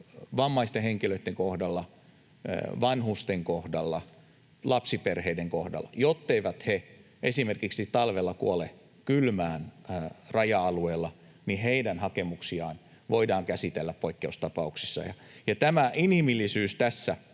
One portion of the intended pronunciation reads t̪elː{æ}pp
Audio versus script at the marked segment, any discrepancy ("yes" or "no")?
no